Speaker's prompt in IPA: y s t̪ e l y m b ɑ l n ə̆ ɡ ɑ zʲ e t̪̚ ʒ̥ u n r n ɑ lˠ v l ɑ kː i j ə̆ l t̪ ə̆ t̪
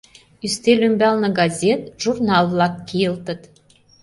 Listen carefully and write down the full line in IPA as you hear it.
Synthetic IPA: y s t̪ e l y m b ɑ l n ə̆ ɡ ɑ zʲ e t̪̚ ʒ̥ u r n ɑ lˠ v l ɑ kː i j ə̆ l t̪ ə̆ t̪

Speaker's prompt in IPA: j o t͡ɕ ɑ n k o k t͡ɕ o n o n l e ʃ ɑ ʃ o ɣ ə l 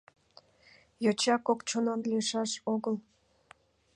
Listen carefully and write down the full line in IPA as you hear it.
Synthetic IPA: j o t͡ɕ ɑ k o k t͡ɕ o n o n l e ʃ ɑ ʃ o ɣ ə l

